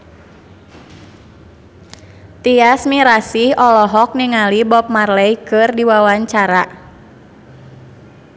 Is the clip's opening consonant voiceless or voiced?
voiceless